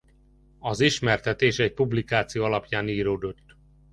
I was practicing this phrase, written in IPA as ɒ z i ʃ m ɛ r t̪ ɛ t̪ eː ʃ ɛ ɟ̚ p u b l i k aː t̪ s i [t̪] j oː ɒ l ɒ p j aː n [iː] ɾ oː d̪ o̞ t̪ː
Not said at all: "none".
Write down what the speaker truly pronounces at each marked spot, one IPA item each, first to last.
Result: none, iː

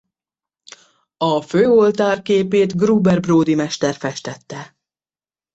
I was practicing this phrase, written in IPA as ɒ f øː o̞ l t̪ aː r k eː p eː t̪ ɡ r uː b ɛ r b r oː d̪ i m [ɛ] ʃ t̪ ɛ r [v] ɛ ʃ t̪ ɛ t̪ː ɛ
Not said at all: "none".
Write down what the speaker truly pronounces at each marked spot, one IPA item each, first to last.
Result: ɛ, f

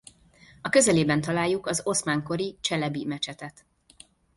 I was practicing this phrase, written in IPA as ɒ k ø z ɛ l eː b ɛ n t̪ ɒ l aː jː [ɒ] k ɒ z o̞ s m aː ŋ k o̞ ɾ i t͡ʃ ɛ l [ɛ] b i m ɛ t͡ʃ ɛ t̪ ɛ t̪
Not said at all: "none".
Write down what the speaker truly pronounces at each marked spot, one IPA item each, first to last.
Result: u, ɛ

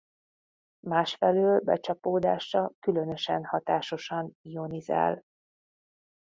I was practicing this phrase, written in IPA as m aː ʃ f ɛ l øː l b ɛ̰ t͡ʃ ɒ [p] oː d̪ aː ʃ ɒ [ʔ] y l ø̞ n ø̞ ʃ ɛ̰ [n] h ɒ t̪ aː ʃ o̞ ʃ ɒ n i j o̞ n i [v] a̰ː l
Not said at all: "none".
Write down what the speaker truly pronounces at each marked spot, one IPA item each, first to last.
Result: p, k, n, z

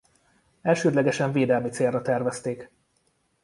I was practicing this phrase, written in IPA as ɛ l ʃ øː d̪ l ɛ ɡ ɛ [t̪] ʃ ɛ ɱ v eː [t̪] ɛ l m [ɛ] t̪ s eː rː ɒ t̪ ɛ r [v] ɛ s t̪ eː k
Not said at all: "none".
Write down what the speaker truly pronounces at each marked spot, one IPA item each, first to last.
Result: none, d̪, i, v

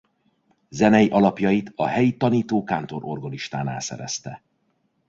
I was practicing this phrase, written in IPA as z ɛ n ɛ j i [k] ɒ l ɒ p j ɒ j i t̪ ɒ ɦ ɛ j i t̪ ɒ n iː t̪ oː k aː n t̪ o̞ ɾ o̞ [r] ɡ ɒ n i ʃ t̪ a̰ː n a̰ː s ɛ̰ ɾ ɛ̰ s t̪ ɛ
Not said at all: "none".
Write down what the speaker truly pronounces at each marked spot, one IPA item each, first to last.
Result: ʔ, r

